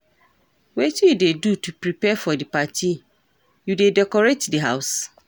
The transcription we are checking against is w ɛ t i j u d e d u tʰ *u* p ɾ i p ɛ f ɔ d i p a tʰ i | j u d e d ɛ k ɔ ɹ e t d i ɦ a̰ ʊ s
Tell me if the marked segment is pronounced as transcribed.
yes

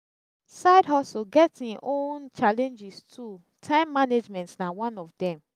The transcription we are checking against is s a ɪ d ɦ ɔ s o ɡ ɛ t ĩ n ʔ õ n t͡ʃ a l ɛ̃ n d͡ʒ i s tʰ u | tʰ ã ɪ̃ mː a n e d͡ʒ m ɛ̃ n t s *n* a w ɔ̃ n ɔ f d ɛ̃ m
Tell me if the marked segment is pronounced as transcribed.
yes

